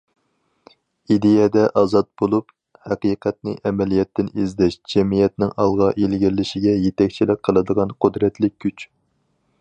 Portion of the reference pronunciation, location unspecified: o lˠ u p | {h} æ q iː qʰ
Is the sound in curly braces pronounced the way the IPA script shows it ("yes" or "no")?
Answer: yes